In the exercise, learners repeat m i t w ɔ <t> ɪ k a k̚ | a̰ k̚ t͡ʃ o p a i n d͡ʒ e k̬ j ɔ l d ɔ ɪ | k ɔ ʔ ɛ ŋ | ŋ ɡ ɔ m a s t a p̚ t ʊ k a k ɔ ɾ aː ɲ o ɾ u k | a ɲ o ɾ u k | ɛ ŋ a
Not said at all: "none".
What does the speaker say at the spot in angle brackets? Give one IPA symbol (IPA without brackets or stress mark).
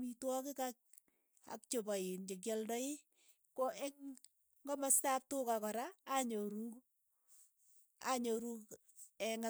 k